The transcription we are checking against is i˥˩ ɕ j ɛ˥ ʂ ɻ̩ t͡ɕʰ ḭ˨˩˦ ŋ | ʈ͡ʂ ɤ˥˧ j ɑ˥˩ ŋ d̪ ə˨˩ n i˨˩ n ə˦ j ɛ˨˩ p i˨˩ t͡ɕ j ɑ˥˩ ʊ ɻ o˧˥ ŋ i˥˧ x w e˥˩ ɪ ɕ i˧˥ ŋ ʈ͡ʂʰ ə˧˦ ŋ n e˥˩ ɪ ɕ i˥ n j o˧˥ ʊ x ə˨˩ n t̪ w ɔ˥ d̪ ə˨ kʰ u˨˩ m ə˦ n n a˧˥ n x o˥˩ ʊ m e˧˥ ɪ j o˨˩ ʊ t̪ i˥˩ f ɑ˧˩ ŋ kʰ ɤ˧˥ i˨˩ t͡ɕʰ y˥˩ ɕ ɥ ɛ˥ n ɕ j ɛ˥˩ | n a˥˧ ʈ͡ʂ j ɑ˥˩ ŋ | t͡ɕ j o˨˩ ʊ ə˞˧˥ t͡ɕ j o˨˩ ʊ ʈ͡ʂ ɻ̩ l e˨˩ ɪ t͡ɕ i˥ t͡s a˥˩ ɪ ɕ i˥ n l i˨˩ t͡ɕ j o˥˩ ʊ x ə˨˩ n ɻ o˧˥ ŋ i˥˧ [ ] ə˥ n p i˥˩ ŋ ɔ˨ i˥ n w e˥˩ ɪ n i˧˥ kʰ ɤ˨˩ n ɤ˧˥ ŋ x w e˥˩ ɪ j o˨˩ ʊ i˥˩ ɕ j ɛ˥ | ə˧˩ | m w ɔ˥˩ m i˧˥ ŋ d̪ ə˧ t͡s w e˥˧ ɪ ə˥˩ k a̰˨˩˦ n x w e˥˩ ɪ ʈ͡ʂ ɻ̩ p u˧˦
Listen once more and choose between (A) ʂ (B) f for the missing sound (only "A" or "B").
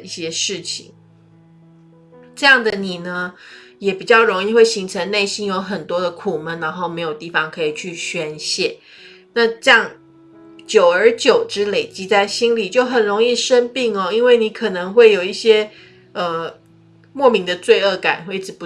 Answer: A